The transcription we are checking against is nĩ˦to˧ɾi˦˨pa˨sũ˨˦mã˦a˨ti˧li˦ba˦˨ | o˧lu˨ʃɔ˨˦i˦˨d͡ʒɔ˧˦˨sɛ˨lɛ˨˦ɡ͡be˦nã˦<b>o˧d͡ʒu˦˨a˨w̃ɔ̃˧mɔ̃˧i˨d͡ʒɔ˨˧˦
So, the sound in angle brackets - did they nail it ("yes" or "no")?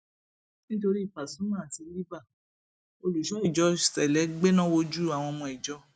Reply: no